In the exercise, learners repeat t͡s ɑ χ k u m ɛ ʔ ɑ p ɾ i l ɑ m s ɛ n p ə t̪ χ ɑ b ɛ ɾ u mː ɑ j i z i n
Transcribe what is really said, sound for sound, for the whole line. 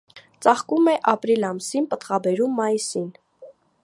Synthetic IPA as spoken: t͡s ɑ χ k u m ɛ ʔ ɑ p ɾ i l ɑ m s i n p ə t̪ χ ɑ b ɛ ɾ u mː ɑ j i s i n